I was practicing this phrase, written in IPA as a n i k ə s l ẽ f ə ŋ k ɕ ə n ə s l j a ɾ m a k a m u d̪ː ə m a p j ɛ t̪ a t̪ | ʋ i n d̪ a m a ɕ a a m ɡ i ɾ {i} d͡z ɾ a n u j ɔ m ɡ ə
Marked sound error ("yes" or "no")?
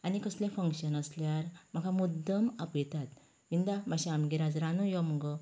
yes